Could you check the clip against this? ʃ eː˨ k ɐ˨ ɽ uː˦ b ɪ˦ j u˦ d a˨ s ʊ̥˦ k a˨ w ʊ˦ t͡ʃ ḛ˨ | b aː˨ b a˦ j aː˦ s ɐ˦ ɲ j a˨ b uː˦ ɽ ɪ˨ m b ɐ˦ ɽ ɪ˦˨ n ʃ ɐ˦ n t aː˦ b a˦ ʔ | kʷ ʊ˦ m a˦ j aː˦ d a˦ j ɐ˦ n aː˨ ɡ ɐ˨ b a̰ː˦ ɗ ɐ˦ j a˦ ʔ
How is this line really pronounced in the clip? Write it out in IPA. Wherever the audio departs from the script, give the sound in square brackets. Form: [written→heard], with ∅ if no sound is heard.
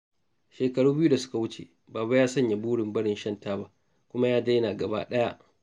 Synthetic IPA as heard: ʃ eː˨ k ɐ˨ ɽ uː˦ b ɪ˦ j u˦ d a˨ s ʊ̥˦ k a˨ w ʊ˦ t͡ʃ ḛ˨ | b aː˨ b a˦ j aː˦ s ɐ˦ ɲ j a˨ b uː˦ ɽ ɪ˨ m b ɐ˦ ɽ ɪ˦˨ n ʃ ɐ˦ n t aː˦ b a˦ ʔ | kʷ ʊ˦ m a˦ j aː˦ d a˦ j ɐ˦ n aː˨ ɡ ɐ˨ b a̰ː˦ ɗ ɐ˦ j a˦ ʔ